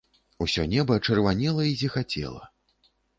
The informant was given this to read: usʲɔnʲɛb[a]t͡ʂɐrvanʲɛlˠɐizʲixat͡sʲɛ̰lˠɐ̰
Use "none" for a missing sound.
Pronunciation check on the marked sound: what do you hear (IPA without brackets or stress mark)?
ɐ